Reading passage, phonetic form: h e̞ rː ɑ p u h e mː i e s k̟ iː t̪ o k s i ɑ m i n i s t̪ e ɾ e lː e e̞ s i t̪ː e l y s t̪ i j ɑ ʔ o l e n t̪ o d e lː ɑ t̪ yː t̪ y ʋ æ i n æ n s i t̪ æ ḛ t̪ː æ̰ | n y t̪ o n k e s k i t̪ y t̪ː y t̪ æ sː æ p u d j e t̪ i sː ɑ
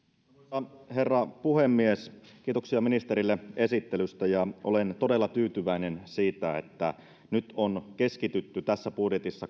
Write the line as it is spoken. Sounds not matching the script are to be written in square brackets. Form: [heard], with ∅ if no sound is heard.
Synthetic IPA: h e̞ rː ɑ p u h e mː i e s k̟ iː t̪ o k s i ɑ m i n i s t̪ e ɾ [i] lː e e̞ s i t̪ː e l y s t̪ [æ] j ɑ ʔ o l e n t̪ o d e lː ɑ t̪ yː t̪ y ʋ æ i n [e] n s [iː] t̪ æ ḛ t̪ː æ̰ | n y t̪ o n k e s k i t̪ y t̪ː y t̪ æ sː æ p u d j e t̪ i sː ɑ